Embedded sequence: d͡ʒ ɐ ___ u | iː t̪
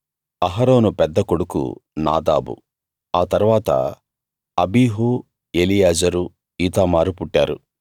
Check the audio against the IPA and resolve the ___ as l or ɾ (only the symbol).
ɾ